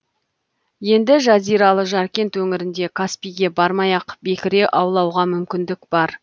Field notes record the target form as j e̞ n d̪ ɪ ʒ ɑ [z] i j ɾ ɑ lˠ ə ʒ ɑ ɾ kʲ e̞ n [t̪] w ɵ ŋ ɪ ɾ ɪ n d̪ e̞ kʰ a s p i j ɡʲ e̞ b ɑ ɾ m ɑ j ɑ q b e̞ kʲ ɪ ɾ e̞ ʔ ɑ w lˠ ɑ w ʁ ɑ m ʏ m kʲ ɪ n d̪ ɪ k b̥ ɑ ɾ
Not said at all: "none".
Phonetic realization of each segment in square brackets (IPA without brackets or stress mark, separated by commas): z, t̪